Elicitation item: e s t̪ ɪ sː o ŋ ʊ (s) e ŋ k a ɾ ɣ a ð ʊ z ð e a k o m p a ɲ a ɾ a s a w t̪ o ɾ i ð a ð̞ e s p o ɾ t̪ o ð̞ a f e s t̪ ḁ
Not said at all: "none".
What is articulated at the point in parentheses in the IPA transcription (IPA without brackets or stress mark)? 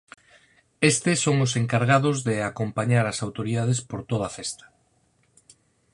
s